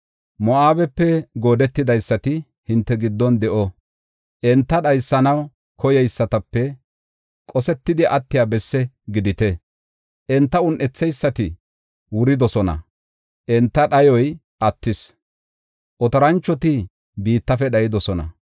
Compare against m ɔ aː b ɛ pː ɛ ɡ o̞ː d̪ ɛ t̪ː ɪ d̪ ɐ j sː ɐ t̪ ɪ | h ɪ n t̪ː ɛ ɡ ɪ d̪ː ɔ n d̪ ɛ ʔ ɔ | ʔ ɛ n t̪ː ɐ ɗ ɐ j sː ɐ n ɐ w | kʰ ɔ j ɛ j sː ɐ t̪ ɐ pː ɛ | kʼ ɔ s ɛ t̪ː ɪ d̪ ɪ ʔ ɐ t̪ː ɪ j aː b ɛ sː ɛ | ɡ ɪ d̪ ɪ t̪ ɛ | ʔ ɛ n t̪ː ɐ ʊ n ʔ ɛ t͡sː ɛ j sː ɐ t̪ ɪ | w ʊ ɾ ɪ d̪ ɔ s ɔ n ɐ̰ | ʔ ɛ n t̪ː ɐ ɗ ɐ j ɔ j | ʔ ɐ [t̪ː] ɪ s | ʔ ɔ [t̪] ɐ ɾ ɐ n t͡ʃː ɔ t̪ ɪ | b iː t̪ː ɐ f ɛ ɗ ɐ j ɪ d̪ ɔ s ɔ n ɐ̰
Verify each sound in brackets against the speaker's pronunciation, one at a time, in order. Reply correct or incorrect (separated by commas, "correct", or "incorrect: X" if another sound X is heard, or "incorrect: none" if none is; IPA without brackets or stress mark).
correct, correct